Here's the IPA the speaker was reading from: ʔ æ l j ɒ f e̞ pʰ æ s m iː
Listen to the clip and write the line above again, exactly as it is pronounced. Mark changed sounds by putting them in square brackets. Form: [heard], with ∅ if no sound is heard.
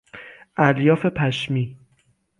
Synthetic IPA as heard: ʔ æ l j [ɒː] f e̞ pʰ æ [ʃ] m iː